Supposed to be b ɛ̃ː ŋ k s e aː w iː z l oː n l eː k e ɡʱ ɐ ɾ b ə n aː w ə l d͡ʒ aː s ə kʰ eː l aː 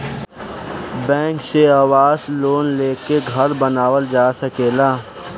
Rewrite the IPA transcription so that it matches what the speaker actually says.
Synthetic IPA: b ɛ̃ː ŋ k s e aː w aː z l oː n l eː k e ɡʱ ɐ ɾ b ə n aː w ə l d͡ʒ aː s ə k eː l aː